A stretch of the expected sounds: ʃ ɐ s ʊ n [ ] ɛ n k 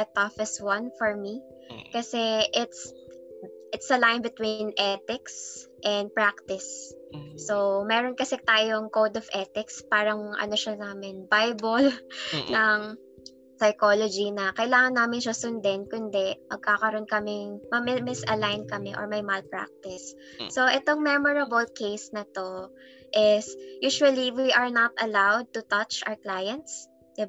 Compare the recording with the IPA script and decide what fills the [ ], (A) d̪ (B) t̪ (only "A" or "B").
A